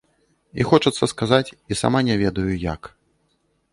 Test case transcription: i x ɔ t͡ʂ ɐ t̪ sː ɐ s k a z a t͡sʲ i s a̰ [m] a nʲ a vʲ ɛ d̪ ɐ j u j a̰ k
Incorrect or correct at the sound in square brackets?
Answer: correct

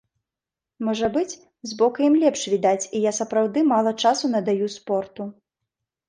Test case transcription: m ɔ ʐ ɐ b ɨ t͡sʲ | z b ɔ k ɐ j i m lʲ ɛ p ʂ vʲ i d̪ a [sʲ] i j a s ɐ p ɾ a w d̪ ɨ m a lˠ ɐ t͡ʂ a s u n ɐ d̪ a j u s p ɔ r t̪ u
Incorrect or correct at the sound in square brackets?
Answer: incorrect: t͡sʲ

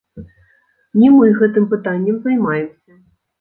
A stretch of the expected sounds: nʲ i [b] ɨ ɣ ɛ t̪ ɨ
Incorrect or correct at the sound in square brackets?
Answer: incorrect: m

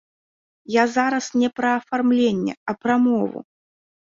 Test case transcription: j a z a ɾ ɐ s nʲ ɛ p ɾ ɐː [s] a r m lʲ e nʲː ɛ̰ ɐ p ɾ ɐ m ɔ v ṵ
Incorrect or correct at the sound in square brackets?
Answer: incorrect: f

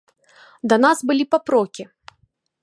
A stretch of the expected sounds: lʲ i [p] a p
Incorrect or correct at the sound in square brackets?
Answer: correct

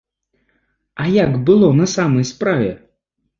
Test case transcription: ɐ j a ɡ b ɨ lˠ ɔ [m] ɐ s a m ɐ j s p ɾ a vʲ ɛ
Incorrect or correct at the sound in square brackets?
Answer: incorrect: n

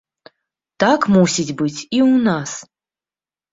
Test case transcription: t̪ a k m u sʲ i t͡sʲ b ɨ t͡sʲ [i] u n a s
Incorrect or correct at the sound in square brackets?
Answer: correct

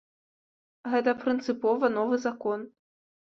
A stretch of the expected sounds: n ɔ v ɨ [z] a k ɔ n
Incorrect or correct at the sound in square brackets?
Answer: correct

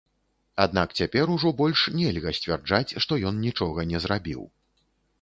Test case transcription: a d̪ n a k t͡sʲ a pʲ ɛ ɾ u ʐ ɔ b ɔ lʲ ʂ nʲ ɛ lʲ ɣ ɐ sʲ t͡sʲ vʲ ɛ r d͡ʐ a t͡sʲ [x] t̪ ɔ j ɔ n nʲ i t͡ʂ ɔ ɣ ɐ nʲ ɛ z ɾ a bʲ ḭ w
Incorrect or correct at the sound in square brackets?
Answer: incorrect: ʂ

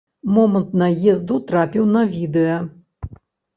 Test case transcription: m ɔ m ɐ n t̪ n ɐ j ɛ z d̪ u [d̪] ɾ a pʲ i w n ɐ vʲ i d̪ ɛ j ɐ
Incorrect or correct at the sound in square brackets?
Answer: incorrect: t̪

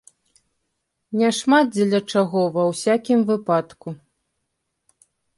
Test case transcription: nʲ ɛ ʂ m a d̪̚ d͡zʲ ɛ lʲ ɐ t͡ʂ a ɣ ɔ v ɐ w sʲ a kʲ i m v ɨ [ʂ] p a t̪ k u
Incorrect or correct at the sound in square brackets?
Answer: incorrect: none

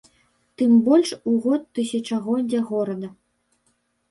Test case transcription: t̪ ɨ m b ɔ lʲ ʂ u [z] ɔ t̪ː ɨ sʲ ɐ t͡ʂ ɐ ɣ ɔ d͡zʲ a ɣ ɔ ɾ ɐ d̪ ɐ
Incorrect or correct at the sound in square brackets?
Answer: incorrect: ɣ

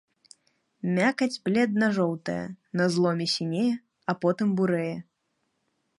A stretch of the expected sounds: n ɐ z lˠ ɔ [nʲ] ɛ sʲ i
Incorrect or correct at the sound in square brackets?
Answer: incorrect: mʲ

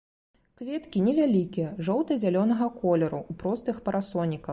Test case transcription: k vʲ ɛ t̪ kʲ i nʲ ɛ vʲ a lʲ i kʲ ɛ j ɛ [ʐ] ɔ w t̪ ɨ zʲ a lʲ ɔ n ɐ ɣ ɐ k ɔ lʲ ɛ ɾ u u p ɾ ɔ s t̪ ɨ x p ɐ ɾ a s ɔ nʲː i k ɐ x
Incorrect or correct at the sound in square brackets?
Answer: correct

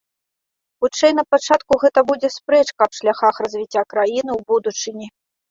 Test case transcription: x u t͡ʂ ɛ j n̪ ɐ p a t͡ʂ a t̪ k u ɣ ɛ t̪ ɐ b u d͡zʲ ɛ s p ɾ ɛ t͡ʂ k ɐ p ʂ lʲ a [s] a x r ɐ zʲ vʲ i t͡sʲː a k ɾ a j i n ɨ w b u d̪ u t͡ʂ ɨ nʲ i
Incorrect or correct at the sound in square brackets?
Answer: incorrect: x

